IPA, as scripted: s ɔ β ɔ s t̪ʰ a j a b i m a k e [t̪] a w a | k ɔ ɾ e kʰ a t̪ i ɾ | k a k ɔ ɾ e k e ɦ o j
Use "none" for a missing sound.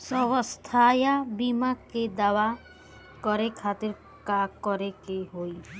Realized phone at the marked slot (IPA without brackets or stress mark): d̪